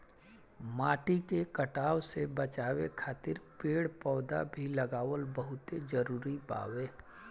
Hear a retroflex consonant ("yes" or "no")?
yes